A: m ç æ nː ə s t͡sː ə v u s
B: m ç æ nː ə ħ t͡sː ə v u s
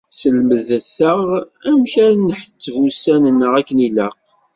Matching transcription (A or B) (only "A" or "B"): B